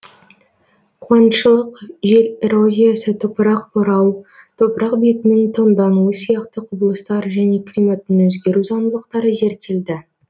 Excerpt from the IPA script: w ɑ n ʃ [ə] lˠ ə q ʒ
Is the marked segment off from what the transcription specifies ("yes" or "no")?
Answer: no